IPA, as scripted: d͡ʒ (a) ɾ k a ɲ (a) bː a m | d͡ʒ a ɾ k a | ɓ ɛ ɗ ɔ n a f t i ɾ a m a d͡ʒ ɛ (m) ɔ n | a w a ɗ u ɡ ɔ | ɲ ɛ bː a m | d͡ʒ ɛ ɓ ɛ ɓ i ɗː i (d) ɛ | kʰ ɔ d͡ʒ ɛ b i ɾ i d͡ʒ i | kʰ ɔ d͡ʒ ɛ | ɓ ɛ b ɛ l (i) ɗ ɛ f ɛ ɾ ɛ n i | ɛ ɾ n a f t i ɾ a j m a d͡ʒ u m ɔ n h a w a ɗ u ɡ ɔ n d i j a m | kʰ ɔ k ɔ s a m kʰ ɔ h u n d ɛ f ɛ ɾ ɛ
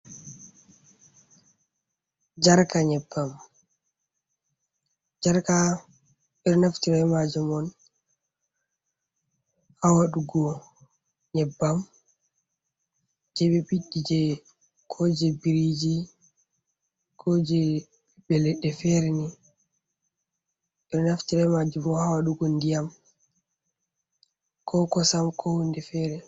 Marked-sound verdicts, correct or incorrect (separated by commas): correct, incorrect, correct, incorrect, incorrect